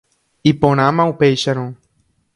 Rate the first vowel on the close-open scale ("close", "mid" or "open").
close